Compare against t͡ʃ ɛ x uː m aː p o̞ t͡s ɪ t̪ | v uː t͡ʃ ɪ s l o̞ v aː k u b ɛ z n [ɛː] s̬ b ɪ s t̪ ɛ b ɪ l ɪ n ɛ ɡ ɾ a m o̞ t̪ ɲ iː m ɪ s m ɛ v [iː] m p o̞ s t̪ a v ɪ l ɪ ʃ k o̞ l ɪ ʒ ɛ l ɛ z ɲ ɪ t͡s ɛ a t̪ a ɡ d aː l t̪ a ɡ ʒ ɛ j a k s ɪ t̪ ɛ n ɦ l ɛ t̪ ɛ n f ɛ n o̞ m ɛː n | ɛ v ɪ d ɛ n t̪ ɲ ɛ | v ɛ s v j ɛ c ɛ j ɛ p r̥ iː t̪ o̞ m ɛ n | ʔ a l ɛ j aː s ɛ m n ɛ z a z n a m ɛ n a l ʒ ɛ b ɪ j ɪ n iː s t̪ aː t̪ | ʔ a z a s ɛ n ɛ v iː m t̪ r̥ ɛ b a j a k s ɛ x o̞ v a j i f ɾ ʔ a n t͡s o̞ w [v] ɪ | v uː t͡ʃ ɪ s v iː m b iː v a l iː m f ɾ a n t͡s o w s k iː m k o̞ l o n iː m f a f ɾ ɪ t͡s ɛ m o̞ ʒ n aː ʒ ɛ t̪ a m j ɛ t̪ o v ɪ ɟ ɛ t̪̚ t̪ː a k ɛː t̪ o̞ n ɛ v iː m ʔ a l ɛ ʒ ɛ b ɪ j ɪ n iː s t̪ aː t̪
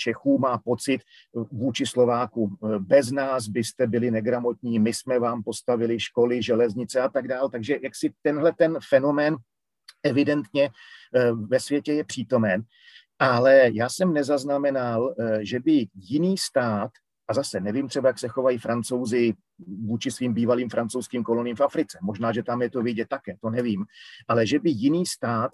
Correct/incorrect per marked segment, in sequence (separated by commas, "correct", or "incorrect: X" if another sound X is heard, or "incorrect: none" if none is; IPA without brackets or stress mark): incorrect: aː, incorrect: aː, incorrect: z